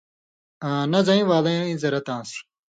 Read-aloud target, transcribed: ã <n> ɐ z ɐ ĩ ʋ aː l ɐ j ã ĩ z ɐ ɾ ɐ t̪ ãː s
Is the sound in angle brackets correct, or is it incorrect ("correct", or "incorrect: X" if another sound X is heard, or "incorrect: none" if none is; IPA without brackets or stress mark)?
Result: correct